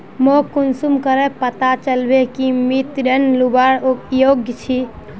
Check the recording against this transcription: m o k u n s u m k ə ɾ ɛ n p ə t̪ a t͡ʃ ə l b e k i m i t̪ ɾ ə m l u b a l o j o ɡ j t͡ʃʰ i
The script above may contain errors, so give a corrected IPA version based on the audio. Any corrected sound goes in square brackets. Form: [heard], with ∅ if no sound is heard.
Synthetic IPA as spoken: m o k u n s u m k ə ɾ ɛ [∅] p ə t̪ a t͡ʃ ə l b e k i m i t̪ ɾ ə [n] l u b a [ɾ] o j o ɡ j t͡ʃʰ i